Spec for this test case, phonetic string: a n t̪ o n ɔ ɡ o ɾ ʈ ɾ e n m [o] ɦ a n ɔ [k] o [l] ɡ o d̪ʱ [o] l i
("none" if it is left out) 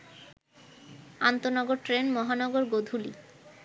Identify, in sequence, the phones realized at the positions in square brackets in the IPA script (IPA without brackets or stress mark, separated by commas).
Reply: ɔ, ɡ, ɾ, u